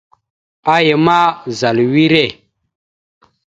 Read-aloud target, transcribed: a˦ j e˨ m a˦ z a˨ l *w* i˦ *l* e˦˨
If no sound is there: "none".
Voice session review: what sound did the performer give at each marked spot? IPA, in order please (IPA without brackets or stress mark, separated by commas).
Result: w, ɾ